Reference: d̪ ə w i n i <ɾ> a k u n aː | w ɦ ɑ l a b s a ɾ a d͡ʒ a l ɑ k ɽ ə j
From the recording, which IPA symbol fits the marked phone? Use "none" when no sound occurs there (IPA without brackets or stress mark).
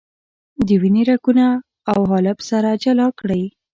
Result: ɾ